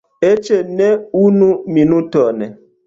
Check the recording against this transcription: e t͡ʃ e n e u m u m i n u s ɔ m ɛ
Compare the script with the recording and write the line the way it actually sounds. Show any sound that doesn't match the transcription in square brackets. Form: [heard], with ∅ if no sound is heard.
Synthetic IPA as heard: e t͡ʃ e n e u [n] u m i n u [t] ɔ [n] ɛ